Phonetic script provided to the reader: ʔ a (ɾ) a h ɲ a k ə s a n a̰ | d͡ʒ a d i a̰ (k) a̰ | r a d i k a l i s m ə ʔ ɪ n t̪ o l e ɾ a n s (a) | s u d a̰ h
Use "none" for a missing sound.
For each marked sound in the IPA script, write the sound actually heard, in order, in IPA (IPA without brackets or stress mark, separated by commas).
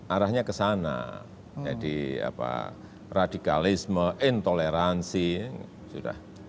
ɾ, p, i